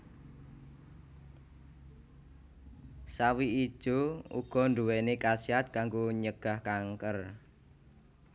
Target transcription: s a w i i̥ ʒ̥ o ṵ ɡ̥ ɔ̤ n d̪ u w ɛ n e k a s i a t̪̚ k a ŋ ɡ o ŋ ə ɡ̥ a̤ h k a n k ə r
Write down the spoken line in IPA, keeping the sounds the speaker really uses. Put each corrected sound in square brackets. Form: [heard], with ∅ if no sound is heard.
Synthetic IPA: s a w i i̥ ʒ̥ o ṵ ɡ̥ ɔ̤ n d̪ u w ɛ n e k a s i a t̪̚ k a ŋ ɡ o [ɲ] ə ɡ̥ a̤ h k a [ŋ] k ə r

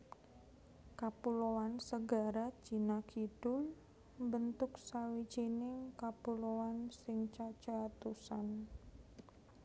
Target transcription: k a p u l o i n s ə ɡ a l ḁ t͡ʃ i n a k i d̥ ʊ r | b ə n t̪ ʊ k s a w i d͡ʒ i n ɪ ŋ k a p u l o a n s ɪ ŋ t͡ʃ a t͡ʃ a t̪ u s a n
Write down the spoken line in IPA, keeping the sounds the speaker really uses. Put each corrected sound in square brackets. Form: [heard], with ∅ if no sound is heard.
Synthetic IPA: k a p u l o [a] n s ə ɡ a [ɾ] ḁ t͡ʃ i n a k i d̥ ʊ [l] | b ə n t̪ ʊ k s a w i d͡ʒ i n ɪ ŋ k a p u l o a n s ɪ ŋ t͡ʃ a t͡ʃ a t̪ u s a n

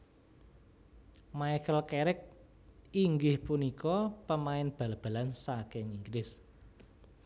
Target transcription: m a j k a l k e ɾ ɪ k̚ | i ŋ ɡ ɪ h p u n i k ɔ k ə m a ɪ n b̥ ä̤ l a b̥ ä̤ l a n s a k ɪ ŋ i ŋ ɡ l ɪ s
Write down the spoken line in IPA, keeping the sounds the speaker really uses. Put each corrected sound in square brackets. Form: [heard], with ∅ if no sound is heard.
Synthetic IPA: m a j k [ə] l k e ɾ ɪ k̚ | i ŋ ɡ ɪ h p u n i k ɔ [p] ə m a ɪ n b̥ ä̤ l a b̥ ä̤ l a n s a k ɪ ŋ i ŋ ɡ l ɪ s

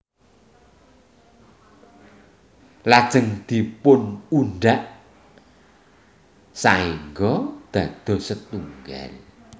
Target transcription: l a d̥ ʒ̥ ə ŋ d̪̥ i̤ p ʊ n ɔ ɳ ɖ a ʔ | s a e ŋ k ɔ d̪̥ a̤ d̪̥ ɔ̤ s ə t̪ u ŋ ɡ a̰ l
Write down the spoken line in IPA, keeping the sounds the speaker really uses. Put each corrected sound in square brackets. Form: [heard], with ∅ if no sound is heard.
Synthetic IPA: l a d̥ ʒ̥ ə ŋ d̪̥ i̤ p ʊ n [u] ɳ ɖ a ʔ | s a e ŋ [ɡ] ɔ d̪̥ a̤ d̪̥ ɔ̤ s ə t̪ u ŋ ɡ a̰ l

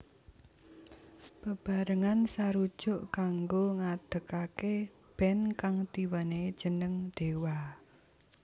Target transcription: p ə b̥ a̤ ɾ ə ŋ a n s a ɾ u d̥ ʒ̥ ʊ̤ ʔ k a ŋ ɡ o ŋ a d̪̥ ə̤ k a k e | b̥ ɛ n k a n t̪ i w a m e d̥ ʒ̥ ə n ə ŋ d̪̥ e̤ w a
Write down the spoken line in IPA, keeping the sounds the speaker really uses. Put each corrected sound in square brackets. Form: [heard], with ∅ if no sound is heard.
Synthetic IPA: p ə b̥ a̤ ɾ ə ŋ a n s a ɾ u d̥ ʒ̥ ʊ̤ ʔ k a ŋ ɡ o ŋ a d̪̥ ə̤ k a k e | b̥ ɛ n k a [ŋ] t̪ i w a [n] e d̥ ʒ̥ ə n ə ŋ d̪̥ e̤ w a

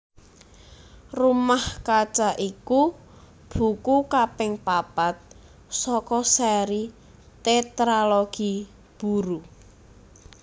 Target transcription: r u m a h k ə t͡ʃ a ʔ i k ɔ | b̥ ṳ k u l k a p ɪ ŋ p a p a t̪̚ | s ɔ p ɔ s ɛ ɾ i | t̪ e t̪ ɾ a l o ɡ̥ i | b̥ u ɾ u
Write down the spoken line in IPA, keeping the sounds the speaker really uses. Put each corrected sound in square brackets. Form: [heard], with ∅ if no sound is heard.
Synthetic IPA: r u m a h k [a] t͡ʃ a ʔ i k [u] | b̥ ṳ k u [∅] k a p ɪ ŋ p a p a t̪̚ | s ɔ [k] ɔ s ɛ ɾ i | t̪ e t̪ ɾ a l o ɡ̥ i | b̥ u ɾ u

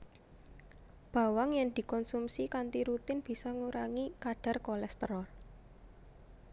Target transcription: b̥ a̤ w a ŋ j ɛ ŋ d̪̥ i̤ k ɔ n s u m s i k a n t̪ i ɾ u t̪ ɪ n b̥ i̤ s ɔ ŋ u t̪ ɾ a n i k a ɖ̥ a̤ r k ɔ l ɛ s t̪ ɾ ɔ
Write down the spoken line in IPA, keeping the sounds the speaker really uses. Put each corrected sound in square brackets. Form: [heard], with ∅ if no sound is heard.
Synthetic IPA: b̥ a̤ w a ŋ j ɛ ŋ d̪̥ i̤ k ɔ n s u m s i k a n t̪ i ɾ u t̪ ɪ n b̥ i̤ s ɔ ŋ u [∅] ɾ a [ŋ] i k a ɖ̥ a̤ r k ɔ l ɛ s t̪ ɾ ɔ

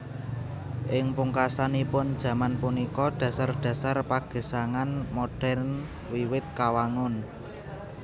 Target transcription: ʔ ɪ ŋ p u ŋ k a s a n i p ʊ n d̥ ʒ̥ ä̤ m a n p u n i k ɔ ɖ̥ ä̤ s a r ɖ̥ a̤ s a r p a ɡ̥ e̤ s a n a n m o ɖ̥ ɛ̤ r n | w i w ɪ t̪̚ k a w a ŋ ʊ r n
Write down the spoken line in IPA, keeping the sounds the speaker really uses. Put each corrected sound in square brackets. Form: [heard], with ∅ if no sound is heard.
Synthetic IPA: ʔ ɪ ŋ p u ŋ k a s a n i p ʊ n d̥ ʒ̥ ä̤ m a n p u n i k ɔ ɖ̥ ä̤ s a r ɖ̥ a̤ s a r p a ɡ̥ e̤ s a [ŋ] a n m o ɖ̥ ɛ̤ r n | w i w ɪ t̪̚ k a w a ŋ ʊ [∅] n

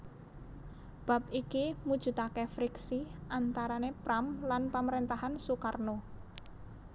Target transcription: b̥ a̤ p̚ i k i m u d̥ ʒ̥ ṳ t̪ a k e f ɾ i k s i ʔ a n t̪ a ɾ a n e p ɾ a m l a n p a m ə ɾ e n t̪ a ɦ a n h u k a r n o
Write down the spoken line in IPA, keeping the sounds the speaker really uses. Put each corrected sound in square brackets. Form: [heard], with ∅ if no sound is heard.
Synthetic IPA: b̥ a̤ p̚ i k i m u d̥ ʒ̥ ṳ t̪ a k e f ɾ i k s i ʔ a n t̪ a ɾ a n e p ɾ a m l a n p a m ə ɾ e n t̪ a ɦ a n [s] u k a r n o

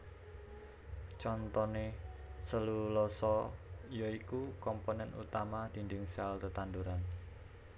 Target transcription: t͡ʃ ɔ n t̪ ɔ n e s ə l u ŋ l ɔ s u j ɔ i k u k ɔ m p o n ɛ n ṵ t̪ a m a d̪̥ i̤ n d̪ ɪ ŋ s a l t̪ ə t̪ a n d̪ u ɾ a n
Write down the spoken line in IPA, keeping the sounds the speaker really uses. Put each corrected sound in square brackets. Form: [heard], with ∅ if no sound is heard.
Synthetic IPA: t͡ʃ ɔ n t̪ ɔ n e s ə l u [∅] l ɔ s [ɔ] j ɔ i k u k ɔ m p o n ɛ n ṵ t̪ a m a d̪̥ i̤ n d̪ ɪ ŋ s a l t̪ ə t̪ a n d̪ u ɾ a n

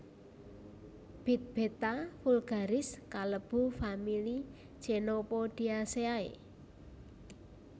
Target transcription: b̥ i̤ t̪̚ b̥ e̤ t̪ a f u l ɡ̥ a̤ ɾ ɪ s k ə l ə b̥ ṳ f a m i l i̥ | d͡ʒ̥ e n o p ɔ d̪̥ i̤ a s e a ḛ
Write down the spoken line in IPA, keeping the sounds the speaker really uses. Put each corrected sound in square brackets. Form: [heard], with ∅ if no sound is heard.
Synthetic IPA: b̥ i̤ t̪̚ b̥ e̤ t̪ a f u l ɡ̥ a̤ ɾ ɪ s k [a] l ə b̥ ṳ f a m i l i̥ | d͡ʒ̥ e n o p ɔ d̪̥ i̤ a s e a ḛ

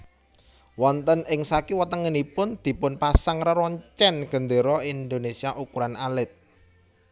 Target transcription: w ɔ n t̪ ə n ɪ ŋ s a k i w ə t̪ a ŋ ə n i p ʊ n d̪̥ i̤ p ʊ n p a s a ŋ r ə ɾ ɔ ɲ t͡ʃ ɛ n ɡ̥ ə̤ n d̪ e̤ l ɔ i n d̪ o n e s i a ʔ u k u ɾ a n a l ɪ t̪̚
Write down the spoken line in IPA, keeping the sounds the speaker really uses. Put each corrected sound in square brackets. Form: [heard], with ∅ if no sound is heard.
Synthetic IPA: w ɔ n t̪ ə n ɪ ŋ s a k i w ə t̪ [ə] ŋ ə n i p ʊ n d̪̥ i̤ p ʊ n p a s a ŋ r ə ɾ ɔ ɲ t͡ʃ ɛ n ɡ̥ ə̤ n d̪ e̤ [ɾ] ɔ i n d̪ o n e s i a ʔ u k u ɾ a n a l ɪ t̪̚

